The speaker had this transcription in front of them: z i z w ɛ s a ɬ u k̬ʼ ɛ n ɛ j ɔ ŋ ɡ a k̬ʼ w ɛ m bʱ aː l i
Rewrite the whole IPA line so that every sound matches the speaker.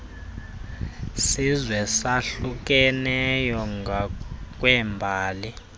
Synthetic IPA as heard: s i z w ɛ s a ɬ u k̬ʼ ɛ n ɛ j ɔ ŋ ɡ a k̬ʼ w ɛ m bʱ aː l i